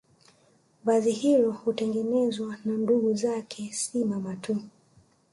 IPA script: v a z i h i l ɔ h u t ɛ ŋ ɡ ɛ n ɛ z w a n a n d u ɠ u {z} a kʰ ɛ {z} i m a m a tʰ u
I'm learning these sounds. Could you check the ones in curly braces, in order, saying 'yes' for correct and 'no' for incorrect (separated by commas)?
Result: yes, no